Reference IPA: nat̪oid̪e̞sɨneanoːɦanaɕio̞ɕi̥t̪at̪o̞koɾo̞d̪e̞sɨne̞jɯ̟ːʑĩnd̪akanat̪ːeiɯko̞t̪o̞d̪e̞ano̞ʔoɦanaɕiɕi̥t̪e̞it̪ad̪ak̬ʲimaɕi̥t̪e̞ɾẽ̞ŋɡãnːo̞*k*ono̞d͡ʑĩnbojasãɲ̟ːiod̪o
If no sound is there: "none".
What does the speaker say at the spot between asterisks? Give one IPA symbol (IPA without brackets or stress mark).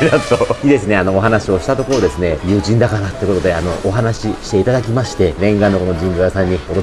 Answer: k